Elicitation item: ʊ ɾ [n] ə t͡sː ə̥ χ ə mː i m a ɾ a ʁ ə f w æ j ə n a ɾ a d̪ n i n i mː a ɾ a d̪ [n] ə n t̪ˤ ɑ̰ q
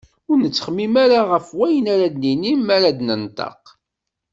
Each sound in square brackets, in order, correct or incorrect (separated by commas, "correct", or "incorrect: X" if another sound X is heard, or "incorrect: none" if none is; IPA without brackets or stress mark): correct, correct